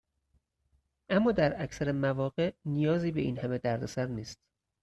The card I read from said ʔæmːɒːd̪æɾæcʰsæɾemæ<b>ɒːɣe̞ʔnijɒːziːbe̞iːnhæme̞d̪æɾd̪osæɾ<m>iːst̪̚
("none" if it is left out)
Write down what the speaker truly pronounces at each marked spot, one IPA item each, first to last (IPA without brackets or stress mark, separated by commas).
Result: v, n